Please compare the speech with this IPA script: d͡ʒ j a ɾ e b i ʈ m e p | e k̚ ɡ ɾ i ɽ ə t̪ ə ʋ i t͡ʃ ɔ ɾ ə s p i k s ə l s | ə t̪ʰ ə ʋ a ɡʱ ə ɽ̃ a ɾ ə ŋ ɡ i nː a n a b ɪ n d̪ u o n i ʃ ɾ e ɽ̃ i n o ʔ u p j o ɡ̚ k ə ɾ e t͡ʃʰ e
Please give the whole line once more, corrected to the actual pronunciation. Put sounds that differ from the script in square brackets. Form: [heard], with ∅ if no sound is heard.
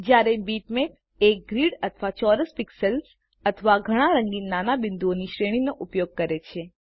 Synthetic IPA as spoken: d͡ʒ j a ɾ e b i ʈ m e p | e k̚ ɡ ɾ i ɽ ə [t̪ʰ] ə ʋ [a] t͡ʃ ɔ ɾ ə s p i k s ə l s | ə t̪ʰ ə ʋ a ɡʱ ə ɽ̃ a ɾ ə ŋ ɡ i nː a n a b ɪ n d̪ u o n i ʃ ɾ e ɽ̃ i n o ʔ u p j o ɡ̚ k ə ɾ e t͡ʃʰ e